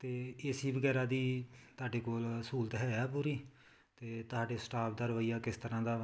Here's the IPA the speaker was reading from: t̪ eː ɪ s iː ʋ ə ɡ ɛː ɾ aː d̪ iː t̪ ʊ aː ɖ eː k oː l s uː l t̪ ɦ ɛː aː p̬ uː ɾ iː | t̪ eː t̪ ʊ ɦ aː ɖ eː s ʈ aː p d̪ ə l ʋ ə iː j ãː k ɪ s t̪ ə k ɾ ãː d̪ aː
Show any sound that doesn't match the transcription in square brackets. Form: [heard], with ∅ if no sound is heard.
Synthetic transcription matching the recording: t̪ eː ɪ s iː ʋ ə ɡ ɛː ɾ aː d̪ iː t̪ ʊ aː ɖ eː k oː l s uː l t̪ ɦ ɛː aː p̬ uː ɾ iː | t̪ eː t̪ ʊ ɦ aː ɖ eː s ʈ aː p d̪ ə [ɾ] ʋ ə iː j [aː] k ɪ s t̪ ə [∅] ɾ ãː d̪ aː